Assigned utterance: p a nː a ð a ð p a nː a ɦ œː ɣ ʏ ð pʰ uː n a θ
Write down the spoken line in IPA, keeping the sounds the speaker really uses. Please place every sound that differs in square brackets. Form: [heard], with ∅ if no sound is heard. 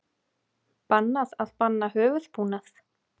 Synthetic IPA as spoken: p a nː a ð a ð p a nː a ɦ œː [v] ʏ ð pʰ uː n a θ